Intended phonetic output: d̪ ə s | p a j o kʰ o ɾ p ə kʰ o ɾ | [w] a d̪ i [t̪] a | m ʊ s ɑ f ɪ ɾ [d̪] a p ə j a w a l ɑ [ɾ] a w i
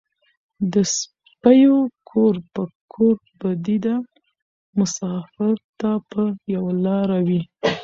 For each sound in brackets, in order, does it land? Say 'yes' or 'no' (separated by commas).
no, no, no, yes